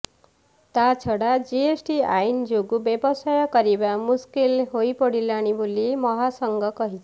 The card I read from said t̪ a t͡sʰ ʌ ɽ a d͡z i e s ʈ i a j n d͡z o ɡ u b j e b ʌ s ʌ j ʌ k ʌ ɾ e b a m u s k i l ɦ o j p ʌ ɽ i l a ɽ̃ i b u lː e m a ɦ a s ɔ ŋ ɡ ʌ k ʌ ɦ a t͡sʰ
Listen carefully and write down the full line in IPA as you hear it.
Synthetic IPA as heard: t̪ a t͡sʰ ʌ ɽ a d͡z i e s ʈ i a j n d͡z o ɡ u b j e b ʌ s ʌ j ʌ k ʌ ɾ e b a m u s k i l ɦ o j p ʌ ɽ i l a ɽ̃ i b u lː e m ʌ ɦ a s ʌ ŋ ɡ ʌ k ʌ ɦ i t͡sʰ

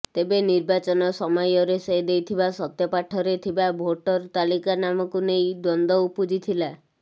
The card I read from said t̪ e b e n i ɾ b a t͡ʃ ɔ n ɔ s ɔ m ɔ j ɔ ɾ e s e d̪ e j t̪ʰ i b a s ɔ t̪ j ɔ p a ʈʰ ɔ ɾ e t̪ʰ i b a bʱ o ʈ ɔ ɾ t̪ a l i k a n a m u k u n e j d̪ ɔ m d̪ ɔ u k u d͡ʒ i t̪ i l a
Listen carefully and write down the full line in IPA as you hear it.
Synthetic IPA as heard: t̪ e b e n i ɾ b a t͡ʃ ɔ n ɔ s ɔ m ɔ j ɔ ɾ e s e d̪ e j t̪ʰ i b a s ɔ t̪ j ɔ p a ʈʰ ɔ ɾ e t̪ʰ i b a bʱ o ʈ ɔ ɾ t̪ a l i k a n a m ɔ k u n e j d̪ ɔ n d̪ ɔ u p u d͡ʒ i t̪ʰ i l a

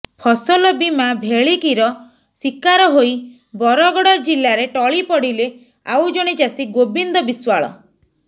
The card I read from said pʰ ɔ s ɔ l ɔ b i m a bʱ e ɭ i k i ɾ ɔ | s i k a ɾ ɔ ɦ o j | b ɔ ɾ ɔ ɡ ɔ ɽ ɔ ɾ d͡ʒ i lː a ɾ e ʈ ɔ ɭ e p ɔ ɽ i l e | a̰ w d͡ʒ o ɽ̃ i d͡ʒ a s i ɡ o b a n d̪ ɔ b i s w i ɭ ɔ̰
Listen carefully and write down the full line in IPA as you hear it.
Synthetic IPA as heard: pʰ ɔ s ɔ l ɔ b i m a bʱ e ɭ i k i ɾ ɔ | s i k a ɾ ɔ ɦ o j | b ɔ ɾ ɔ ɡ ɔ ɽ ɔ ɾ d͡ʒ i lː a ɾ e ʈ ɔ ɭ i p ɔ ɽ i l e | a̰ w d͡ʒ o ɽ̃ i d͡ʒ a s i ɡ o b i n d̪ ɔ b i s w a ɭ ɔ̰

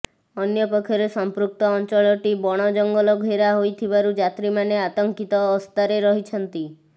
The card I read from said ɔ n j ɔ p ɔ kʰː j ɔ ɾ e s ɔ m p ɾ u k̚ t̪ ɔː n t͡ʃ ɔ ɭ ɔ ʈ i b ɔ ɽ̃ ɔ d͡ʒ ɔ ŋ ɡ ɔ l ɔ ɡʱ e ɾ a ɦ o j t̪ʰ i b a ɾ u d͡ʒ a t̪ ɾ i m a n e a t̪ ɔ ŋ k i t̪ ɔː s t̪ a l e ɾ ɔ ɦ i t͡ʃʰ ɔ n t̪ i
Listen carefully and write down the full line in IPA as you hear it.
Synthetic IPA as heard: ɔ n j ɔ p ɔ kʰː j ɔ ɾ e s ɔ m p ɾ u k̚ t̪ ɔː n t͡ʃ ɔ ɭ ɔ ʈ i b ɔ ɽ̃ ɔ d͡ʒ ɔ ŋ ɡ ɔ l ɔ ɡʱ e ɾ a ɦ o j t̪ʰ i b a ɾ u d͡ʒ a t̪ ɾ i m a n e a t̪ ɔ ŋ k i t̪ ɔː s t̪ a ɾ e ɾ ɔ ɦ i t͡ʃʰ ɔ n t̪ i

